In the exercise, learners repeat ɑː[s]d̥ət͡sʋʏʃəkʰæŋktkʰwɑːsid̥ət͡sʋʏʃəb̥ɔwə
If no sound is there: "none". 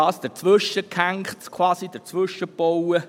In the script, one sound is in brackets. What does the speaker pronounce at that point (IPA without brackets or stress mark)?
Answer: s